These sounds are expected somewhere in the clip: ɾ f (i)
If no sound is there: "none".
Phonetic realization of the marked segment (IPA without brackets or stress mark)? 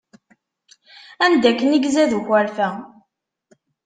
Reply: æ